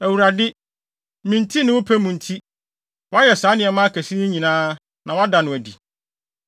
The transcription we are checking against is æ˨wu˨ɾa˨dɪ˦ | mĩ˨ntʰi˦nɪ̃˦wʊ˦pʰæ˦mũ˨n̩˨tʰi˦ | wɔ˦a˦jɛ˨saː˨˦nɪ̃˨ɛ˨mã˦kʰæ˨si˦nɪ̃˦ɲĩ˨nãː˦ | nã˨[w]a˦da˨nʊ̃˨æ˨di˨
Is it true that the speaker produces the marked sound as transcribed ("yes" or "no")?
yes